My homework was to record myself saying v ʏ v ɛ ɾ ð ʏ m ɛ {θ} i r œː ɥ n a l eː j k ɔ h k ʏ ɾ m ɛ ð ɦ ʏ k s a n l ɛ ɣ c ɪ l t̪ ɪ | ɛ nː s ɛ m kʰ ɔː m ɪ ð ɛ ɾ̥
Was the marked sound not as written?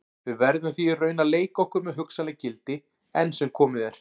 no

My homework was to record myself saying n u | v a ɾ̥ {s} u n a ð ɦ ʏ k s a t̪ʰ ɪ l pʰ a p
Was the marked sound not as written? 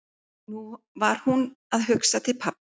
yes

